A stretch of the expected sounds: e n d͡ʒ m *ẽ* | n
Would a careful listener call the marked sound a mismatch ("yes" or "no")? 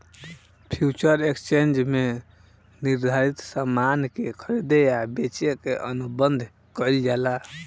yes